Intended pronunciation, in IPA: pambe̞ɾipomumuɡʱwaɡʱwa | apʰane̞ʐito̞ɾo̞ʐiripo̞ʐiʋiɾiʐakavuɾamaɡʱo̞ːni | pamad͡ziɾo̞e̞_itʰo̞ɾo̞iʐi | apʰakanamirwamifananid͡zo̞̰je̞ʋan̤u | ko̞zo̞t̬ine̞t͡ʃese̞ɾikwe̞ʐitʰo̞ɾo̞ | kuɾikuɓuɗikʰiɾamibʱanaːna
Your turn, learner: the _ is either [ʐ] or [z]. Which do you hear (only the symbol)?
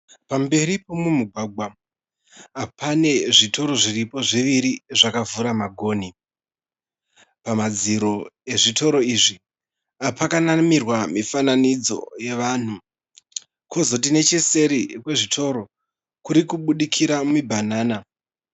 ʐ